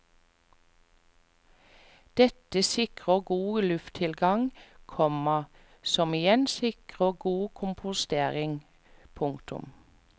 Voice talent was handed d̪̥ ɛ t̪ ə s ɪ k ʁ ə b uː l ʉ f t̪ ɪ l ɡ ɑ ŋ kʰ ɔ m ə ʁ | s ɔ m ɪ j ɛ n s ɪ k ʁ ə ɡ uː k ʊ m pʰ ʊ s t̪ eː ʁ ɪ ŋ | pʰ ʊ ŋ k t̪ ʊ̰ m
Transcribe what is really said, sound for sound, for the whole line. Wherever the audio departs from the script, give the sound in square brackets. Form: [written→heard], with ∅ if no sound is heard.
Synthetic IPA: d̪̥ ɛ t̪ ə s ɪ k ʁ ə [b→ɡ] uː l ʉ f [t̪→t̪ʰ] ɪ l ɡ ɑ ŋ kʰ ɔ m ə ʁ | s ɔ m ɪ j ɛ n s ɪ k ʁ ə ɡ uː [k→kʰ] ʊ m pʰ ʊ s t̪ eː ʁ ɪ ŋ | pʰ ʊ ŋ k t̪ ʊ̰ m